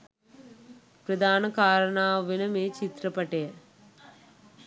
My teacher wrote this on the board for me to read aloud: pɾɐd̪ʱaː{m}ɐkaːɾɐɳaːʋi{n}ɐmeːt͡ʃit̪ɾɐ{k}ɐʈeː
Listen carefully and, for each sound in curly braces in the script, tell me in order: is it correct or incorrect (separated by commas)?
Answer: incorrect, correct, incorrect